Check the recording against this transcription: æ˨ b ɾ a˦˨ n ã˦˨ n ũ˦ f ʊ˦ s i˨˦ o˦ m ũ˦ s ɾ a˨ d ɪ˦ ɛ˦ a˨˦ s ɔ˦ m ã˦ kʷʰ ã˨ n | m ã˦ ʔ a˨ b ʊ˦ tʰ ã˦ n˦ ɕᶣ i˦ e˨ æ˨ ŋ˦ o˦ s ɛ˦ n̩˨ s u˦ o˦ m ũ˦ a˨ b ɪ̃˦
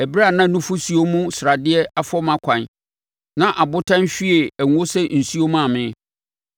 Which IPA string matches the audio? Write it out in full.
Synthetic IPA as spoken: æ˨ b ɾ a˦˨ n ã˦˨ n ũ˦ f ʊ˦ s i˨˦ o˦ m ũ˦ s ɾ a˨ d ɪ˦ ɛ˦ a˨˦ f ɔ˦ m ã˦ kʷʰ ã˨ n | n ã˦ ʔ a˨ b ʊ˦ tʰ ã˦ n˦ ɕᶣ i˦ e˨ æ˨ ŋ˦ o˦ s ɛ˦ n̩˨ s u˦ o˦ m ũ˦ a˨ m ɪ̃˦

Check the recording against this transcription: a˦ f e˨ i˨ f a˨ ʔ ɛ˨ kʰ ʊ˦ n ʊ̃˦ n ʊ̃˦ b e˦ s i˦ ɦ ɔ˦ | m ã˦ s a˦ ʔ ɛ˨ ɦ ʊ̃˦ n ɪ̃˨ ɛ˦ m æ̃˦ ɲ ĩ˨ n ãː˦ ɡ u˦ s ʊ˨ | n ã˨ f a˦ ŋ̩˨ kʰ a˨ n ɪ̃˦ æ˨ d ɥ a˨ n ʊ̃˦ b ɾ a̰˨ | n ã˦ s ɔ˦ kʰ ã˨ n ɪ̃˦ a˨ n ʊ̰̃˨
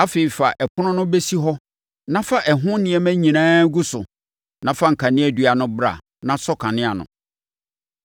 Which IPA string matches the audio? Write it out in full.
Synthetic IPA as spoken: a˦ f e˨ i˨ f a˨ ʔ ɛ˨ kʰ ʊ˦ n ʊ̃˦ n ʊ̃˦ b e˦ s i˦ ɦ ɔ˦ | n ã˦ f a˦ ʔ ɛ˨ ɦ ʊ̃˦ n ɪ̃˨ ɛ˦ m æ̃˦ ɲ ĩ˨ n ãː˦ ɡ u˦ s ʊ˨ | n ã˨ f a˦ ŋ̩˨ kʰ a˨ n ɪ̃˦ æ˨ d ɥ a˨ n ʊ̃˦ b ɾ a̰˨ | n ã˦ s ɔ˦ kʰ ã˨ n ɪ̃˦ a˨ n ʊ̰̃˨

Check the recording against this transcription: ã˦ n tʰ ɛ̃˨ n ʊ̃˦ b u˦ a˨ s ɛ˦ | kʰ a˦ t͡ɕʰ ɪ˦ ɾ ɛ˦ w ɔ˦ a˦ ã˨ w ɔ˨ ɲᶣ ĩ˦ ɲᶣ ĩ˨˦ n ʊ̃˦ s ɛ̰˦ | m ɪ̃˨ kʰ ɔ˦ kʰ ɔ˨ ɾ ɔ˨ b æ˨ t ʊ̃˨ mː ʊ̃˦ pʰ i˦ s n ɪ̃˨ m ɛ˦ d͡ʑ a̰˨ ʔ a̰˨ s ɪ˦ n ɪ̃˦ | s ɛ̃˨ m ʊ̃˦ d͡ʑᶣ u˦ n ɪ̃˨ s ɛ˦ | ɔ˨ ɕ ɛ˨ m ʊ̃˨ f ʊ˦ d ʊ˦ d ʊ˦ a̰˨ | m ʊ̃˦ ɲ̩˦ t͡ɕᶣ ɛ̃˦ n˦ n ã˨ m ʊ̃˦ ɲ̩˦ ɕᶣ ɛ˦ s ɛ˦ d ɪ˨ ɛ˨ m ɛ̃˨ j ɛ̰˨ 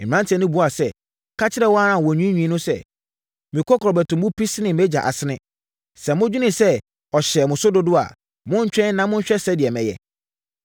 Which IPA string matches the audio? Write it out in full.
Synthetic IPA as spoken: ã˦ n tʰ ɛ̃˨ n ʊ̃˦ b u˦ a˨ s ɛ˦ | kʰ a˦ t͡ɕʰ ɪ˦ ɾ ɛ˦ w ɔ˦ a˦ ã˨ w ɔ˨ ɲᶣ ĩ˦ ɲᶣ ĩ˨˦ n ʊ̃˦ s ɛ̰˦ | m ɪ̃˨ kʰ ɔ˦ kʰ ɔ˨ ɾ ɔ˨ b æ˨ t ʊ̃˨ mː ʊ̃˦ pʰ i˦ s n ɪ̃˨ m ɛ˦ d͡ʑ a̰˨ ʔ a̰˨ s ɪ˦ n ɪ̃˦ | s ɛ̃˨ m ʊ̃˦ d͡ʑᶣ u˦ n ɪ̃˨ s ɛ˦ | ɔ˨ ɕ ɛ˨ m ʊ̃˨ s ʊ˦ d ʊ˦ d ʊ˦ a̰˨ | m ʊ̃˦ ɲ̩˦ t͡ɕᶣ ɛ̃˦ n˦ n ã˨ m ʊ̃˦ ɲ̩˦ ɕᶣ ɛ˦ s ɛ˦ d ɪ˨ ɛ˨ m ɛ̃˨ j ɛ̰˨

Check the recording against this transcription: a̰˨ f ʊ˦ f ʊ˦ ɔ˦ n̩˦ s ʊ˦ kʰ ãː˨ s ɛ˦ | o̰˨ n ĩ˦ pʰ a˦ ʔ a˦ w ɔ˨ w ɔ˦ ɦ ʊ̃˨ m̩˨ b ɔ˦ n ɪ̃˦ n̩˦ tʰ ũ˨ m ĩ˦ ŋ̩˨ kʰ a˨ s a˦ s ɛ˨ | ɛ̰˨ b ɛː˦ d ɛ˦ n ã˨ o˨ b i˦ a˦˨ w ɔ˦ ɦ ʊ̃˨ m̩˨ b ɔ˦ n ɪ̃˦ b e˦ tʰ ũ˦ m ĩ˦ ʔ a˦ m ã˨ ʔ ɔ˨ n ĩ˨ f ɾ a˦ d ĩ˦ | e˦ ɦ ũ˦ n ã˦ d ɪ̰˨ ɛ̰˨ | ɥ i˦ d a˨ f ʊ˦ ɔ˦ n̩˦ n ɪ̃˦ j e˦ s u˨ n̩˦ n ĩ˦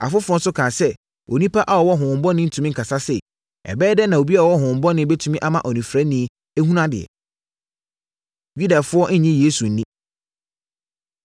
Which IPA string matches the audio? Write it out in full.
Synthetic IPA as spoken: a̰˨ f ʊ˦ f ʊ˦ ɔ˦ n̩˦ s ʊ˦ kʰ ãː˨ s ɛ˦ | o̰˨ n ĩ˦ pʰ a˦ ʔ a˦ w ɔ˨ w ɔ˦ ɦ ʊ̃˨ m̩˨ b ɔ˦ n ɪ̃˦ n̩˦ tʰ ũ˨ m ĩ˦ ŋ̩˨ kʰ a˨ s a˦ s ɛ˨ | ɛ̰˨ b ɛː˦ d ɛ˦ n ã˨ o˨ b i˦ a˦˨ w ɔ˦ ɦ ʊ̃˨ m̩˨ b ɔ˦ n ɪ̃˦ b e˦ tʰ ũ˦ m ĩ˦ ʔ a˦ m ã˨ ʔ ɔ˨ n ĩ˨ f ɾ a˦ n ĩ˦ | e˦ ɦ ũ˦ n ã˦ d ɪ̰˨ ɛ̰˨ | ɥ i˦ d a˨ f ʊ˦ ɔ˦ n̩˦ ɲ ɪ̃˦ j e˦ s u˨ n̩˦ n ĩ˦

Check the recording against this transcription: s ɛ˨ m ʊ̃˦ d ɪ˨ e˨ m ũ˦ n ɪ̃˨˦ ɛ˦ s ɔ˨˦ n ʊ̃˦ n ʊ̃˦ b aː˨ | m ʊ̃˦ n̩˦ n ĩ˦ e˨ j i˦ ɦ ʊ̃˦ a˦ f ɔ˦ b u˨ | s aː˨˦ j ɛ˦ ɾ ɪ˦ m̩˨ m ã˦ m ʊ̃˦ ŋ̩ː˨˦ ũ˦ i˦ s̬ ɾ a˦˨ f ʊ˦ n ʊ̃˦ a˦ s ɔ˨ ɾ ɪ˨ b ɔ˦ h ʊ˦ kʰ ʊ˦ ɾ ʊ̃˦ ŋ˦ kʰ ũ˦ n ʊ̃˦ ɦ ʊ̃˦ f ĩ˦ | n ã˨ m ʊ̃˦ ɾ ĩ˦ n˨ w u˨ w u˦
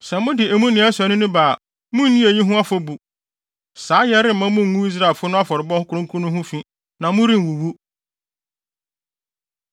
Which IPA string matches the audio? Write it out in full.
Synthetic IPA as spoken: s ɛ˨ m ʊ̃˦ d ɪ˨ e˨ m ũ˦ n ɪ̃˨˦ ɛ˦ s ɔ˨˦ n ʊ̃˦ n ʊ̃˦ b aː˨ | m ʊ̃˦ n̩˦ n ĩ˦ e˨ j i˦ ɦ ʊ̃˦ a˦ f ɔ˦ b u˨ | s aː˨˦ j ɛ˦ ɾ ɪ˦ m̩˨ m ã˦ m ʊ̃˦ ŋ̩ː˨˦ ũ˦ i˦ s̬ ɾ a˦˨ f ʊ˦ n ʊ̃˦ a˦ f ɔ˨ ɾ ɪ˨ b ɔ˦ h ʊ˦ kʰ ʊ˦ ɾ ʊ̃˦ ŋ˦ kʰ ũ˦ n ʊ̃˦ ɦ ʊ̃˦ f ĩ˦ | n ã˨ m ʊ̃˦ ɾ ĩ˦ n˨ w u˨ w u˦

